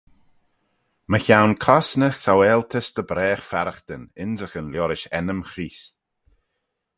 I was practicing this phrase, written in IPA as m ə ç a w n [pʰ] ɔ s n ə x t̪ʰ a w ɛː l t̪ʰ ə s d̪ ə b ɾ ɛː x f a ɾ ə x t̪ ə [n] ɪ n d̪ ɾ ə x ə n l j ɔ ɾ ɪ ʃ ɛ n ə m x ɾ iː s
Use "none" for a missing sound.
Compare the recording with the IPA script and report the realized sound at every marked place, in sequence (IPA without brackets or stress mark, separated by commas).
kʰ, n